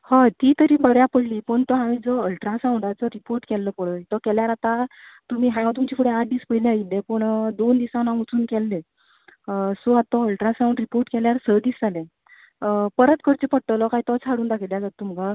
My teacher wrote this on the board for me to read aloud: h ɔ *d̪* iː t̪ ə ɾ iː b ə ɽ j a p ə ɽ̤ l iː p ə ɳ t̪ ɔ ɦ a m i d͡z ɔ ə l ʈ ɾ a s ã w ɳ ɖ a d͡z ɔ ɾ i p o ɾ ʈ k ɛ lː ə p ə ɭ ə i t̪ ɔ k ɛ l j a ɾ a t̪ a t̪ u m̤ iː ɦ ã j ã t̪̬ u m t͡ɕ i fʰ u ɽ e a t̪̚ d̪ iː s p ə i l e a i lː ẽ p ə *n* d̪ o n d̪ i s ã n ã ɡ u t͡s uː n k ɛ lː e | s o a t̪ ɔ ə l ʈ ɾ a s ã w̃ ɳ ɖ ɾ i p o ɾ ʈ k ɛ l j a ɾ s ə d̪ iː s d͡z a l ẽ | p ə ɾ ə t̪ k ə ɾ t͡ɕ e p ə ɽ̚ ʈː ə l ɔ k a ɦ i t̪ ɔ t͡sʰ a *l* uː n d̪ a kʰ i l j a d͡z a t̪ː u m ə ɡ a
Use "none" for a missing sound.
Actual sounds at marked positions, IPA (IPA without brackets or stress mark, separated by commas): t̪, ɳ, ɽ